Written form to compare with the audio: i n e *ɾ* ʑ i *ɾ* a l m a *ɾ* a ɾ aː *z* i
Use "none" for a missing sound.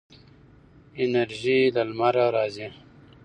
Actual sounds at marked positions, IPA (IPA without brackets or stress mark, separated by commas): ɾ, l, ɾ, z